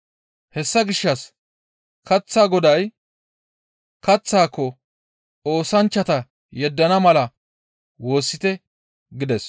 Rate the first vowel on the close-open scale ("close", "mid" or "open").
mid